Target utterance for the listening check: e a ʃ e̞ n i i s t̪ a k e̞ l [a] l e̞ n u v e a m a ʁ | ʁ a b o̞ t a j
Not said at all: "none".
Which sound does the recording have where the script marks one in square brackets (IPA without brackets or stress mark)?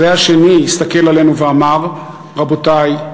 a